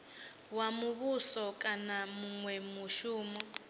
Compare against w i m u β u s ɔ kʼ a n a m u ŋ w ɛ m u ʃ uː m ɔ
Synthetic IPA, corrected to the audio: w a m u β u s ɔ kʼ a n a m u ŋ w ɛ m u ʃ uː m ɔ